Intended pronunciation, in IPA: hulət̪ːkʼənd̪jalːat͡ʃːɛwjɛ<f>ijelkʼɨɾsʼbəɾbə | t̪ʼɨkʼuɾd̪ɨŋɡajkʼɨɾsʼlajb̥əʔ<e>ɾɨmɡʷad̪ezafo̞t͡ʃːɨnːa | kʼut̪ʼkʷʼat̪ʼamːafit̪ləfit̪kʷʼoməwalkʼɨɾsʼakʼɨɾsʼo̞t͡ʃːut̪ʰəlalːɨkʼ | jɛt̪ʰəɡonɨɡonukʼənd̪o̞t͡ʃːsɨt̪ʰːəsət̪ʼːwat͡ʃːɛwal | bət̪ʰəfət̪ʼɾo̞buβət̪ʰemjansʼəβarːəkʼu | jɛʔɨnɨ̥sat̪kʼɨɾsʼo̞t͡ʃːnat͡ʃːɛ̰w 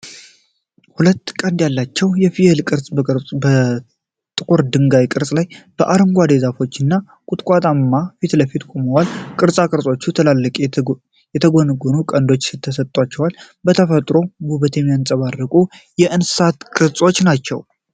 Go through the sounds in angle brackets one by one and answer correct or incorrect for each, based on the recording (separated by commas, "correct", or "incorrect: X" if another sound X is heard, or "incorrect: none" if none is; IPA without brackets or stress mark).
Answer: correct, incorrect: a